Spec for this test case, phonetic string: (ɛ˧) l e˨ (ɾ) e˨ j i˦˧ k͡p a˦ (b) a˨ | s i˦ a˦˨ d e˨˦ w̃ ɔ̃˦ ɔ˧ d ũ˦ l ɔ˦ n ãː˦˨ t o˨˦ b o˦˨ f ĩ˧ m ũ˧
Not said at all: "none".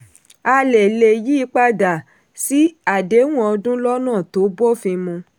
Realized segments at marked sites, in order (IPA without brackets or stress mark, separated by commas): a˧, l, d